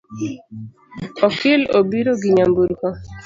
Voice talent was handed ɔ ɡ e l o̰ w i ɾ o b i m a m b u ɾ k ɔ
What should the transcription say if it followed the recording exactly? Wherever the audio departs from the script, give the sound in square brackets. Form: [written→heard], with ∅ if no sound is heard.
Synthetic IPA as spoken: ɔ [ɡ→k] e l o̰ [w→b] i ɾ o [b→ɡ] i [m→ɲ] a m b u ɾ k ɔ